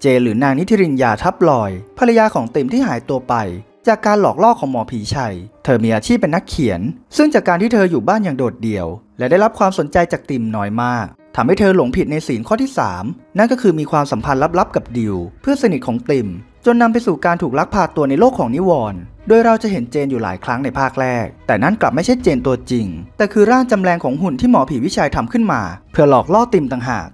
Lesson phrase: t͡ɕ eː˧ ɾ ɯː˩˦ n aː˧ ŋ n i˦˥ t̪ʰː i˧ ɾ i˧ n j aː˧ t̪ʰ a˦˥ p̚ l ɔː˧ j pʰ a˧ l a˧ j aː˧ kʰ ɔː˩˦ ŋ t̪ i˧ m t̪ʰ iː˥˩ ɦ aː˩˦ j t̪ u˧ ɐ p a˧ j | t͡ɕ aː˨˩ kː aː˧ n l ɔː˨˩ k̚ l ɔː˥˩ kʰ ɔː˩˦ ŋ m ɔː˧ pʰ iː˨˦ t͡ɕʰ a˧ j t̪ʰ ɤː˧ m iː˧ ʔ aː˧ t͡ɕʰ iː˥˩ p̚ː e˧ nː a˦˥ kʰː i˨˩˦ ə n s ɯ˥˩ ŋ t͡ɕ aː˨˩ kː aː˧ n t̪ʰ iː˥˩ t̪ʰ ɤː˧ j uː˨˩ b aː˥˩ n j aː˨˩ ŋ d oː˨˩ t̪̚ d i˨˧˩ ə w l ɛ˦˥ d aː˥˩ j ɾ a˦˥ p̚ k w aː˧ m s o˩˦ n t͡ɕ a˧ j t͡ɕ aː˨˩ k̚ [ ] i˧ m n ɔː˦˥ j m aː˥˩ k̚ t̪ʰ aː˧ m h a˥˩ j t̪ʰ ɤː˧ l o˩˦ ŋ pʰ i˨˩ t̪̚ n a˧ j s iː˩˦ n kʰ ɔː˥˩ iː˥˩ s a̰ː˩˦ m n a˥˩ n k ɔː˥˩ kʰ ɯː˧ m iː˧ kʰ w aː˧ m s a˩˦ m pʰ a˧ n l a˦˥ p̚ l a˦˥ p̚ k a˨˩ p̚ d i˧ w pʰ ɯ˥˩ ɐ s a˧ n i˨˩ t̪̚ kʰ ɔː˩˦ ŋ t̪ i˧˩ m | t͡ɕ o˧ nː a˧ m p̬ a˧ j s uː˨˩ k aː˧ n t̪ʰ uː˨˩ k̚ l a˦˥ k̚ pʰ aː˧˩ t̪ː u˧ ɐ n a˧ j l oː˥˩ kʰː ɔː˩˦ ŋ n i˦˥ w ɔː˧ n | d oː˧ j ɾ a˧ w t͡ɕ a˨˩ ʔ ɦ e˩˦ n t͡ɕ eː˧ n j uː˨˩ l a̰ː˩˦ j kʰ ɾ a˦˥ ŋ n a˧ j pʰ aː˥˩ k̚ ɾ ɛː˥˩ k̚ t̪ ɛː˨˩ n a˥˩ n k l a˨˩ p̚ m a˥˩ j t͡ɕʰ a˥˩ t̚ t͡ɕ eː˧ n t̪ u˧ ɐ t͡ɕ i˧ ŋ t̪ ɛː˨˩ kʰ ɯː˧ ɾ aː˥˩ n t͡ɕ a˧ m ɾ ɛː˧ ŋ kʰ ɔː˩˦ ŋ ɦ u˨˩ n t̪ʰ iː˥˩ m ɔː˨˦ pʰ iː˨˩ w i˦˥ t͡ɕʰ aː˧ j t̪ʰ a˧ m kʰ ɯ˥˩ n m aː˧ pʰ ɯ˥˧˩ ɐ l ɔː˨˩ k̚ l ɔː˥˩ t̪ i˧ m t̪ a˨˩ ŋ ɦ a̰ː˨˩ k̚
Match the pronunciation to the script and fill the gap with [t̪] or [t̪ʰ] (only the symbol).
t̪